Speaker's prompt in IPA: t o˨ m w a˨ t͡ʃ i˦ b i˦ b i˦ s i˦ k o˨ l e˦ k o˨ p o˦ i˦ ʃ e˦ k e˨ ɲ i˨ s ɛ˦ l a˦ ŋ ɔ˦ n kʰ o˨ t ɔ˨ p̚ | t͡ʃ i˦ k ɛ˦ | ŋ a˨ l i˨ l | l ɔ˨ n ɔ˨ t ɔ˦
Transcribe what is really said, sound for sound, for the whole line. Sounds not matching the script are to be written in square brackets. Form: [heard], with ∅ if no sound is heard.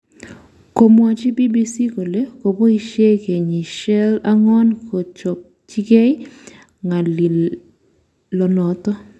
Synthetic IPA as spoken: [k] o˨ m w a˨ t͡ʃ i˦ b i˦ b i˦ s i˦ k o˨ l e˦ k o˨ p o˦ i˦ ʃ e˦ k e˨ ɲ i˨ [ʃ] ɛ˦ l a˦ ŋ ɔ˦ n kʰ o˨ [t͡ʃ] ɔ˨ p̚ | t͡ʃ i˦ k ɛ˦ | ŋ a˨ l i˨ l | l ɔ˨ n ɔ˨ t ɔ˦